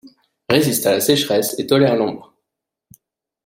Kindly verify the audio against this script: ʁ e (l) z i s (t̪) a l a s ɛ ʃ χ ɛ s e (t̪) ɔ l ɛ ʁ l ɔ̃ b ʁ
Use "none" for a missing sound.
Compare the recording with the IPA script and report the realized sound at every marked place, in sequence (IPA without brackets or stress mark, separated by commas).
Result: none, t̪, t̪